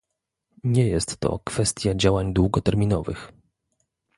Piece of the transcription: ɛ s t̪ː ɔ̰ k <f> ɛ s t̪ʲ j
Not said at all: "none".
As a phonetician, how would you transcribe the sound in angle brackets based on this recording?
f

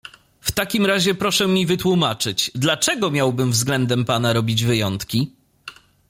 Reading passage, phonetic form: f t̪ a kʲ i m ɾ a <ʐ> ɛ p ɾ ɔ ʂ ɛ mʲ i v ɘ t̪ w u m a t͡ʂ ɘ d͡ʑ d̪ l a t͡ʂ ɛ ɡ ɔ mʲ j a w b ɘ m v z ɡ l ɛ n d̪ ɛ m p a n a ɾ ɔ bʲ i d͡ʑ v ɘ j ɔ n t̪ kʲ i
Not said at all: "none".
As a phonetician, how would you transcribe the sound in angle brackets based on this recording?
ʑ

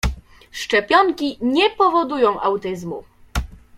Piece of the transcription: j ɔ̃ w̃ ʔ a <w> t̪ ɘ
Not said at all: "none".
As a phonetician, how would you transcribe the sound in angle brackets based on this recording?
w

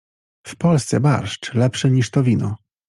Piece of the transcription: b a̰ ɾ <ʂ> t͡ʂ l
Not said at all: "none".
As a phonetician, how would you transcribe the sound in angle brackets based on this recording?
ʂ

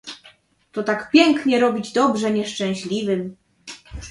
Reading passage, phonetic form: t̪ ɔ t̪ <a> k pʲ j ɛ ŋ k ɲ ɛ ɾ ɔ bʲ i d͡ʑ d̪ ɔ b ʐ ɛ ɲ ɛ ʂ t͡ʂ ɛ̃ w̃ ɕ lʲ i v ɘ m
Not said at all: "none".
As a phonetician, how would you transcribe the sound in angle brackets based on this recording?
a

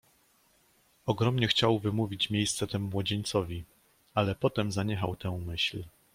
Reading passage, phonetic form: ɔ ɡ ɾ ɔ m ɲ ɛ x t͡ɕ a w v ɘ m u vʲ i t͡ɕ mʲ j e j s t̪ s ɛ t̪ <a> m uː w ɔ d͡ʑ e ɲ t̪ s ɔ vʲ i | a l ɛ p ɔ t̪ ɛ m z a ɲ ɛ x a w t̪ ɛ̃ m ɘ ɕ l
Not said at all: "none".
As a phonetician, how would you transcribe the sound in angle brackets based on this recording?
ɛ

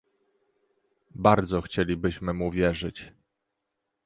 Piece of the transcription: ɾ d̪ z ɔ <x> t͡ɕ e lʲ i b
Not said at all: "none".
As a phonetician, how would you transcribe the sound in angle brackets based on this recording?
x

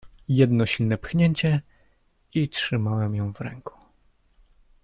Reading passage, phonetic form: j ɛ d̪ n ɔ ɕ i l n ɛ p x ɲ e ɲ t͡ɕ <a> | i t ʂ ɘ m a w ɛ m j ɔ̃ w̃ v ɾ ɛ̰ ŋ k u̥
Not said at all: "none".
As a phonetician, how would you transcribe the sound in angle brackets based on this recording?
ɛ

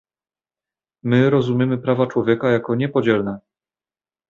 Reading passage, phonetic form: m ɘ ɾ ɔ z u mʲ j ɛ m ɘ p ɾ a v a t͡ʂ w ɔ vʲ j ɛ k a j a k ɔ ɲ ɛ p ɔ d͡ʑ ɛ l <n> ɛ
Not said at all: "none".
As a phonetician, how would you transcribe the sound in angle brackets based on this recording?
n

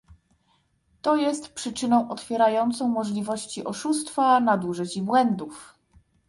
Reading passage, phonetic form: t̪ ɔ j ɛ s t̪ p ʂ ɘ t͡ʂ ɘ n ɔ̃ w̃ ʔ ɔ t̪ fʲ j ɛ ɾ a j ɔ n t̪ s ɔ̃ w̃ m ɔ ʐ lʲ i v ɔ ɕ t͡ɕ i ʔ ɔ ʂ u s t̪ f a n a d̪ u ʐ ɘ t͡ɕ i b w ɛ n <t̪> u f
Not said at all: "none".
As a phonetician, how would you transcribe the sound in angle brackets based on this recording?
d̪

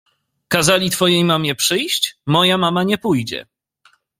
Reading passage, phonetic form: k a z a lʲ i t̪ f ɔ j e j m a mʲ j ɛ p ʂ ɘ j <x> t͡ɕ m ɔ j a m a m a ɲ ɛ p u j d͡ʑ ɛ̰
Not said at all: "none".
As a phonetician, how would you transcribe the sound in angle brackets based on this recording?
ɕ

